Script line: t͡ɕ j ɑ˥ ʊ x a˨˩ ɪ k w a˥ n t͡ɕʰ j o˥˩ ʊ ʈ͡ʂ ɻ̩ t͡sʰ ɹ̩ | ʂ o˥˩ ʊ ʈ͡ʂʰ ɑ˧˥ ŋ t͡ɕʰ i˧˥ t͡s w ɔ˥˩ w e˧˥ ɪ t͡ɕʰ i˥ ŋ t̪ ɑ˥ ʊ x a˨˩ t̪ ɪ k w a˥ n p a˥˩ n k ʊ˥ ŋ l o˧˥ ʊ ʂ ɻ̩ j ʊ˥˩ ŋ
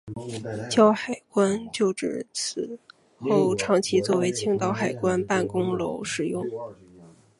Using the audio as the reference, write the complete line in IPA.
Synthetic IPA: t͡ɕ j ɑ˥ ʊ x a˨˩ ɪ k w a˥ n t͡ɕ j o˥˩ ʊ ʈ͡ʂ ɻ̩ t͡sʰ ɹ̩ | x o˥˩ ʊ ʈ͡ʂʰ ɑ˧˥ ŋ t͡ɕʰ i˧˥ t͡s w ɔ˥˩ w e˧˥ ɪ t͡ɕʰ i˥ ŋ t̪ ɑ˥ ʊ x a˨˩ ɪ k w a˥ n p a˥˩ n k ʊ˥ ŋ l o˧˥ ʊ ʂ ɻ̩ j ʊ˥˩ ŋ